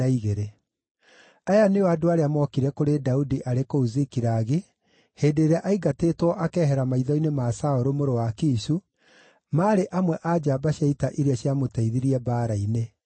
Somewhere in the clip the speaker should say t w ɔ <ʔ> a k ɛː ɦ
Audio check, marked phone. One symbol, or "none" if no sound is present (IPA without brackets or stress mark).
ʔ